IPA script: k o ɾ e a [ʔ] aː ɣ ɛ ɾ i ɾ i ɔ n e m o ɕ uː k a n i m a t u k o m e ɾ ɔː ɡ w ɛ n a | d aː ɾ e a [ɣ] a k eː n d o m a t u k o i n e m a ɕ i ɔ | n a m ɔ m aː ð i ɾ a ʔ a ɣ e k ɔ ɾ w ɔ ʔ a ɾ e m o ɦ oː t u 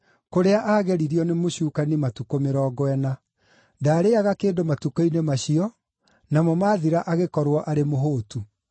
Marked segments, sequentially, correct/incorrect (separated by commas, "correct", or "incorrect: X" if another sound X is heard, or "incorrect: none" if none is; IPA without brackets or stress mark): correct, correct